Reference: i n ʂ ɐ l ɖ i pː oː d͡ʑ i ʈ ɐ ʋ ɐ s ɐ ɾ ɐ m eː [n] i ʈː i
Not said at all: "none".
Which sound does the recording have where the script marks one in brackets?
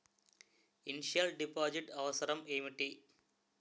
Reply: m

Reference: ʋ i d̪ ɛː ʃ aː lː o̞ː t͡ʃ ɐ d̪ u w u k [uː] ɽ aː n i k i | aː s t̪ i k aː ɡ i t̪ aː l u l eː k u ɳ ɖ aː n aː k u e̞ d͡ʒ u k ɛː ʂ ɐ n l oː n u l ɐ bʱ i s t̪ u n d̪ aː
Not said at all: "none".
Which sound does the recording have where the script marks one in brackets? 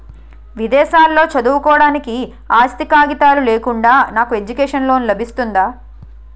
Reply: ɔː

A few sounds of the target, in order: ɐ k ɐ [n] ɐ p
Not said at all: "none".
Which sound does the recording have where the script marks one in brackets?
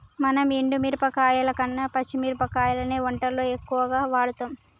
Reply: nː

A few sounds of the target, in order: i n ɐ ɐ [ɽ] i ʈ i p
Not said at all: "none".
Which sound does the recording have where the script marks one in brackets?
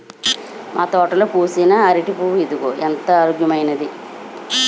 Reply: ɾ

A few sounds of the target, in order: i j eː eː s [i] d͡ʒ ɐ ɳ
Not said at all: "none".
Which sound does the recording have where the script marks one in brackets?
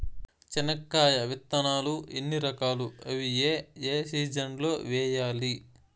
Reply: iː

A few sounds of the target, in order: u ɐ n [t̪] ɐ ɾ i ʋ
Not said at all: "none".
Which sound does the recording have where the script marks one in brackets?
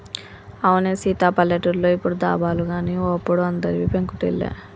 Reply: d̪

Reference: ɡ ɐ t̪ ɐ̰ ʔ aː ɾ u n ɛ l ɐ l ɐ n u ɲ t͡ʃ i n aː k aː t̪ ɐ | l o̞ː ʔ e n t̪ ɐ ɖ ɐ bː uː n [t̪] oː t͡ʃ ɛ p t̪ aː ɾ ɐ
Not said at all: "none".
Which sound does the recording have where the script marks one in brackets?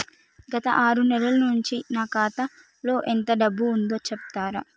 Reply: d̪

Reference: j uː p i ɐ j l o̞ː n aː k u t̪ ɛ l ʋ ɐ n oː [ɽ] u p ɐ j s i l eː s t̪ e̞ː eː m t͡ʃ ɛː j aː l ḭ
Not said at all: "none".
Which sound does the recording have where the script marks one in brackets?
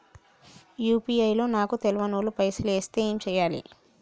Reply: l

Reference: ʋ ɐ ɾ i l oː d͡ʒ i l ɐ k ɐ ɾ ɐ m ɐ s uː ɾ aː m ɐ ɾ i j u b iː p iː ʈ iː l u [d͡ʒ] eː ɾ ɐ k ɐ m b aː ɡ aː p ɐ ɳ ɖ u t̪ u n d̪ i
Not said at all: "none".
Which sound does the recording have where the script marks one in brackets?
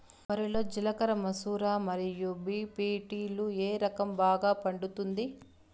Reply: none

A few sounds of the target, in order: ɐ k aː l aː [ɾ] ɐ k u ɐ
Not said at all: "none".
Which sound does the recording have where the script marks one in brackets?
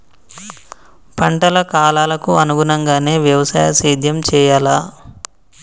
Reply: l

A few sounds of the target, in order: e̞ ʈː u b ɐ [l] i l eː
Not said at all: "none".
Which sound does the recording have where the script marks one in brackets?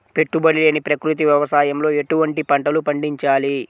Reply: ɽ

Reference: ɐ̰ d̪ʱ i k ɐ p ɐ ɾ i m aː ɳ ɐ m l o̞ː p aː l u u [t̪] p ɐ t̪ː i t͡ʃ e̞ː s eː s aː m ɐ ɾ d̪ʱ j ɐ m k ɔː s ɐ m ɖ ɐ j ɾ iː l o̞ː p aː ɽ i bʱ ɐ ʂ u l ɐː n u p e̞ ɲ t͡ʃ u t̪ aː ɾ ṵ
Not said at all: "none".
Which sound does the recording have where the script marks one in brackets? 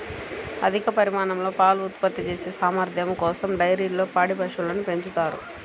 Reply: t̪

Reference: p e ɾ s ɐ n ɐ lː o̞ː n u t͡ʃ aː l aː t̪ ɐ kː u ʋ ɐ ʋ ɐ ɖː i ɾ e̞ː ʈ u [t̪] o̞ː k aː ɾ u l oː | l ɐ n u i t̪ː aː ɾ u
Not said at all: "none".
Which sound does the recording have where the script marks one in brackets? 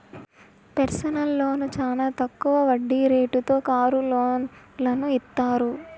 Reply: t̪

